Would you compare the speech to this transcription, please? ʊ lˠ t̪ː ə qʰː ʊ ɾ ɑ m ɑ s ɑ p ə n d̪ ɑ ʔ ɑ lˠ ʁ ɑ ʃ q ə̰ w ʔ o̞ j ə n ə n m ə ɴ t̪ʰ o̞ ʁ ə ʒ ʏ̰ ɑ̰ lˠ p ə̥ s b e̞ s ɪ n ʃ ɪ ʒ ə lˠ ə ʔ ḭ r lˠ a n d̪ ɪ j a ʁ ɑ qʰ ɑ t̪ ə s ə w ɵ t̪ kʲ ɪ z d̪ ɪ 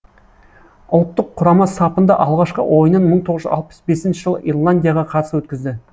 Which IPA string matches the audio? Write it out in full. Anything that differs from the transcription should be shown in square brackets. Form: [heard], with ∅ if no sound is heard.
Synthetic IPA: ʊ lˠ t̪ː ə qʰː ʊ ɾ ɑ m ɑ s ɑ p ə n d̪ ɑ ʔ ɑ lˠ ʁ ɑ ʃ q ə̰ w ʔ o̞ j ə n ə n m ə ɴ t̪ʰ o̞ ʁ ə ʒ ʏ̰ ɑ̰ lˠ p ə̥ s b e̞ s ɪ n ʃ ɪ ʒ ə lˠ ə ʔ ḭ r lˠ a n d̪ [i] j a ʁ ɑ qʰ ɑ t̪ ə s ə w ɵ t̪ kʲ ɪ z d̪ ɪ